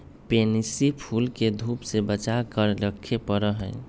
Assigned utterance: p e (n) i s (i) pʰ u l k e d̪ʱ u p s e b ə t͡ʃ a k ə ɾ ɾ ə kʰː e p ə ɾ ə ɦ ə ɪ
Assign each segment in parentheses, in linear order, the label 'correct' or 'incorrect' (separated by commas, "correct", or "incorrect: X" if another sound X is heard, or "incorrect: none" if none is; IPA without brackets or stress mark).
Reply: correct, correct